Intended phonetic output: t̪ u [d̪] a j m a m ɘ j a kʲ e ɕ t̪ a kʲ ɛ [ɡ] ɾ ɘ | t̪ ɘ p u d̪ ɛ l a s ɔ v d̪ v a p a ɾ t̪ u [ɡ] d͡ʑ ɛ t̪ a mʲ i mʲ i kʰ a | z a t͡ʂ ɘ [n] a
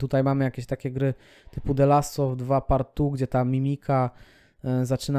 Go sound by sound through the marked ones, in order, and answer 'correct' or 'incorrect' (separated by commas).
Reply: incorrect, correct, correct, correct